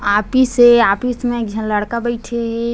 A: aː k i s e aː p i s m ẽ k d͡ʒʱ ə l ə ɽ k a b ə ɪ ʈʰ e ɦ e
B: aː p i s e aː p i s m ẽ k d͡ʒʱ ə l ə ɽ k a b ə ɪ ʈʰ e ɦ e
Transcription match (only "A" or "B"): B